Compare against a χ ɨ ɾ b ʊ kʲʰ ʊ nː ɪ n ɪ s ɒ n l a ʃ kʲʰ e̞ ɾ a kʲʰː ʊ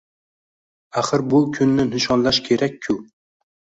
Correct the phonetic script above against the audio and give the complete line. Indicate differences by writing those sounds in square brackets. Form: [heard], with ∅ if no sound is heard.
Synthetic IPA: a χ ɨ ɾ b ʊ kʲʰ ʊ nː ɪ n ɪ [ʃ] ɒ n l a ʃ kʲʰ e̞ ɾ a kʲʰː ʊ